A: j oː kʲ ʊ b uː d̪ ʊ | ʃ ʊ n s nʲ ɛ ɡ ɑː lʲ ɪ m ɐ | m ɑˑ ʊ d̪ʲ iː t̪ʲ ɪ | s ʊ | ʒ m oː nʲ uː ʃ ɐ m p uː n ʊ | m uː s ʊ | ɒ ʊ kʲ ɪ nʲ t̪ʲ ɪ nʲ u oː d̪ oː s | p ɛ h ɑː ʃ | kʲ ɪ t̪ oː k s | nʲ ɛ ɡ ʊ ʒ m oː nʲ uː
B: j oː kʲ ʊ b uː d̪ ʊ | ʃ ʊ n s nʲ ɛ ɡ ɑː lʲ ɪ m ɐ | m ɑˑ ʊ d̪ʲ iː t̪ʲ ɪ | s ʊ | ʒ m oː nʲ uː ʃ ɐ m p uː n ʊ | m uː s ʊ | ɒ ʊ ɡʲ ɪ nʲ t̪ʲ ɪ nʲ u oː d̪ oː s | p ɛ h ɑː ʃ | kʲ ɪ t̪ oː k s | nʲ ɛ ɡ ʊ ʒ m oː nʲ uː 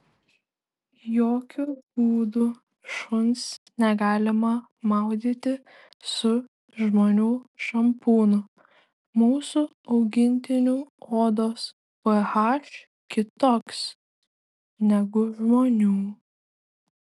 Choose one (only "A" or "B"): B